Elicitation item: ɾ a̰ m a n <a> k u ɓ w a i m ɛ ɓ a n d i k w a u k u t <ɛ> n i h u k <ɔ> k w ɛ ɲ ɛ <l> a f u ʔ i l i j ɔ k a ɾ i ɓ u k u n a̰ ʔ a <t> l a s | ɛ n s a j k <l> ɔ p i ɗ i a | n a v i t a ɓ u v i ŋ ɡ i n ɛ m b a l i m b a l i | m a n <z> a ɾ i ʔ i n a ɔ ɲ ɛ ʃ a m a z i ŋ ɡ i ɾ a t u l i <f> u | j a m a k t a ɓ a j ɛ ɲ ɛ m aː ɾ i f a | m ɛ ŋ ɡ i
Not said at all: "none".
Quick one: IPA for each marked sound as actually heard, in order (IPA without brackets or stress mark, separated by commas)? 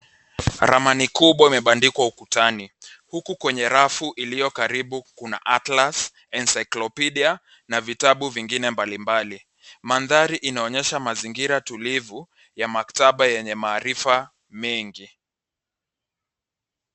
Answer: i, a, u, ɾ, t, l, ð, v